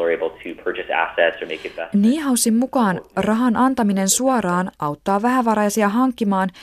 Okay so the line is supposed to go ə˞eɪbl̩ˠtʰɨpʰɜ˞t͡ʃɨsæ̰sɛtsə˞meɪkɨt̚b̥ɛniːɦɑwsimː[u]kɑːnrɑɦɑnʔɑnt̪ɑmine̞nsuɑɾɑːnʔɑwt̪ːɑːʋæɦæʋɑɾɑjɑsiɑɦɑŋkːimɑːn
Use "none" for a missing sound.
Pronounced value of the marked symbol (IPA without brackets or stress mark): u